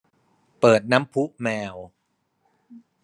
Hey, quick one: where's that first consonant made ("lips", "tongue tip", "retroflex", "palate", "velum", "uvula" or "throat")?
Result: lips